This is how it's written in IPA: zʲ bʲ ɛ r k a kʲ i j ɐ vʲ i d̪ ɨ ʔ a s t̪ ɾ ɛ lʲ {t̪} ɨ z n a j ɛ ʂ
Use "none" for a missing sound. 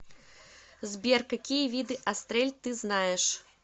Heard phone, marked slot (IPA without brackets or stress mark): t̪